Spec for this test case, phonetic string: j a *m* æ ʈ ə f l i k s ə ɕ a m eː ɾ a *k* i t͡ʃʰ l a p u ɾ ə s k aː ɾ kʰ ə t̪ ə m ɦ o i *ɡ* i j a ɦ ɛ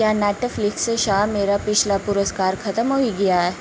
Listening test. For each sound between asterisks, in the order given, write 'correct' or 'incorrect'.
incorrect: n, incorrect: p, correct

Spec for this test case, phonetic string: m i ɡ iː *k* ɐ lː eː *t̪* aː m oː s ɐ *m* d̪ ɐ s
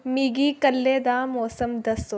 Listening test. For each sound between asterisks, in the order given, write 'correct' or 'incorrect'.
correct, incorrect: d̪, correct

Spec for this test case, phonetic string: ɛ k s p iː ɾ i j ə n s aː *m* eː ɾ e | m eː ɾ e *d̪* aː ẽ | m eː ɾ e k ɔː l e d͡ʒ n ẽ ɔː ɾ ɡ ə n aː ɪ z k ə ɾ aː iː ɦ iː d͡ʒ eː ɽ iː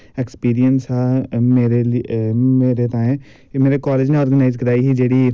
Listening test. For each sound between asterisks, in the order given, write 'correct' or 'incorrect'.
correct, incorrect: t̪

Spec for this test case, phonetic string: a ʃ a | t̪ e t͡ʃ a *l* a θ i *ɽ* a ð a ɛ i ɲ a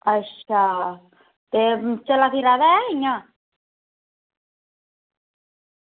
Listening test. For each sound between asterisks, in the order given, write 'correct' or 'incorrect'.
correct, incorrect: ɾ

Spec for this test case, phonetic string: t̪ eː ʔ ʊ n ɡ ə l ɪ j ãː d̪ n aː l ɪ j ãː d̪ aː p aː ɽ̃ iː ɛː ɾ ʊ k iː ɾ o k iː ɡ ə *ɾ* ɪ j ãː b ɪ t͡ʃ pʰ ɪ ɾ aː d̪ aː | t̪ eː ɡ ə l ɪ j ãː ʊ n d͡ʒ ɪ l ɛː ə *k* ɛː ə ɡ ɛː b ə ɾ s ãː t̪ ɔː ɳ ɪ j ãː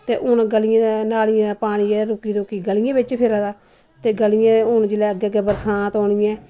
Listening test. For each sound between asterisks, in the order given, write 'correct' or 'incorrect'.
incorrect: l, incorrect: ɡ

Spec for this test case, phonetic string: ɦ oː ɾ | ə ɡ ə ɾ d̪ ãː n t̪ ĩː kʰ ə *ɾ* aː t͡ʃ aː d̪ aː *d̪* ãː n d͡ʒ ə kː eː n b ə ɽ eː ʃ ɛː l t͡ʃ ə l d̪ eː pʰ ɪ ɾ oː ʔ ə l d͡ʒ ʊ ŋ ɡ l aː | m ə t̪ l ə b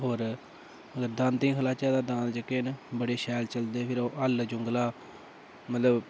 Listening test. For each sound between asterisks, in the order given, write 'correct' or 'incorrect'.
incorrect: l, correct

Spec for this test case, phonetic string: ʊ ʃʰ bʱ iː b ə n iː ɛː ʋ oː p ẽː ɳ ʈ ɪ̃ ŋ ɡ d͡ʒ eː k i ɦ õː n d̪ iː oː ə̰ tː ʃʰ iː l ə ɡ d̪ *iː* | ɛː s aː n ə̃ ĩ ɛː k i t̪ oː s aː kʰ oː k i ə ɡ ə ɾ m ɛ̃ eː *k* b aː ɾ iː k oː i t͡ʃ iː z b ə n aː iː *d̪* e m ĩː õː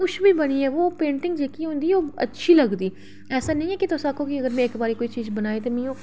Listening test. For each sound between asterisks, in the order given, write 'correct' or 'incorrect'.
correct, correct, incorrect: t̪

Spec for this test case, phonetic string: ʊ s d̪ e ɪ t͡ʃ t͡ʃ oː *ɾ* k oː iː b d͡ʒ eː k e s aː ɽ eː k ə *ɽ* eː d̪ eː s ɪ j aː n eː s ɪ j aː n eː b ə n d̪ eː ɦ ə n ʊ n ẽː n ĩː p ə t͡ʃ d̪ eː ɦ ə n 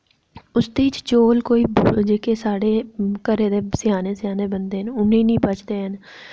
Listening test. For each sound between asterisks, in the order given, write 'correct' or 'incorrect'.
incorrect: l, incorrect: ɾ

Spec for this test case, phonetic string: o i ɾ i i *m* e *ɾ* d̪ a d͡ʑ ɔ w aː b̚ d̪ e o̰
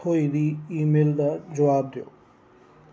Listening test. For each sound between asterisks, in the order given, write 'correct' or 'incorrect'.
correct, incorrect: l

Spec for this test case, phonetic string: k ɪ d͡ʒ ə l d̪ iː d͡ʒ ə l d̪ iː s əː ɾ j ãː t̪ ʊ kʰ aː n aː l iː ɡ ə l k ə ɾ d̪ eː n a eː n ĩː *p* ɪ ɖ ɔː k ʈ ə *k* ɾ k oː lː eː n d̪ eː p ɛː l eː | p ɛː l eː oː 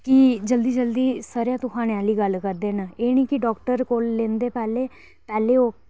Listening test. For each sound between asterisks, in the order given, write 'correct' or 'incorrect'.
incorrect: k, incorrect: none

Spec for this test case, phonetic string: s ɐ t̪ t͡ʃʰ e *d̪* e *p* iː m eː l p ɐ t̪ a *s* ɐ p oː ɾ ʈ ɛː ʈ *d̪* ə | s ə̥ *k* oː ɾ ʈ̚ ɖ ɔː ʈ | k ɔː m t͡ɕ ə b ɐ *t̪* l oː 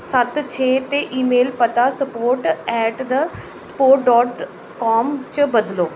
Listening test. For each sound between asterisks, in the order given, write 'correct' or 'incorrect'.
incorrect: t̪, incorrect: ʔ, correct, correct, incorrect: p, incorrect: d̪

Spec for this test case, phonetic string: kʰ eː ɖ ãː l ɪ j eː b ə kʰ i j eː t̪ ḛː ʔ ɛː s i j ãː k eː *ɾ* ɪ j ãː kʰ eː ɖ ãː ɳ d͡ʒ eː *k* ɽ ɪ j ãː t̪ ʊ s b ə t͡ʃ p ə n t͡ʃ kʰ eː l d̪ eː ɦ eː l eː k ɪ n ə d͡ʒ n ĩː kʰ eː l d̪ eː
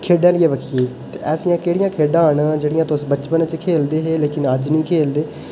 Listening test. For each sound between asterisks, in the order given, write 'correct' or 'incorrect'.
incorrect: ɽ, incorrect: none

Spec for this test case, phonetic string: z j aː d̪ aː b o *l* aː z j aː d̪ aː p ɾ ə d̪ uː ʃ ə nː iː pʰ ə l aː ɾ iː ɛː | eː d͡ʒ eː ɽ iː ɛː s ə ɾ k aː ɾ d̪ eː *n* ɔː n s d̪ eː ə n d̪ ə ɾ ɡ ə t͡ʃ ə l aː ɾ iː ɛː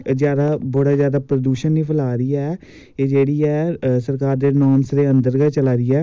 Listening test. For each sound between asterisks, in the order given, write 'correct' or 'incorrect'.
incorrect: ɽ, correct

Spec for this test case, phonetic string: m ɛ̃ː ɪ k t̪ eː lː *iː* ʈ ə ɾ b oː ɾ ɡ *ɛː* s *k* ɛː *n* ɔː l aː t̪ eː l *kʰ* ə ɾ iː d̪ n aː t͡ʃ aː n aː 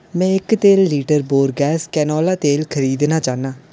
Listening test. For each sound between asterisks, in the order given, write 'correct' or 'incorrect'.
correct, correct, correct, correct, correct

